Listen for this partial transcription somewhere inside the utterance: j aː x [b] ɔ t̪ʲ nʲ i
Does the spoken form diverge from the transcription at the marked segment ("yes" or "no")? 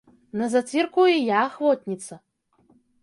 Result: yes